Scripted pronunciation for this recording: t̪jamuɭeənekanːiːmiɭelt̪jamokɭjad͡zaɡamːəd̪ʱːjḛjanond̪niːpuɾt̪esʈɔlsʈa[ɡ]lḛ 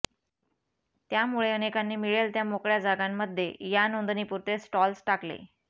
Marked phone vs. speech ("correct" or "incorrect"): incorrect